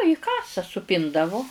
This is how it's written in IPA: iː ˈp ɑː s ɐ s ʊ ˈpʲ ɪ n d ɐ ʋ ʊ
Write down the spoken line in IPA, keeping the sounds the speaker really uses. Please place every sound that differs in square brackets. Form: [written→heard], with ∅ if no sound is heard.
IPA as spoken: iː [ˈp→ˈk] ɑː s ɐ s ʊ ˈpʲ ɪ n d ɐ ʋ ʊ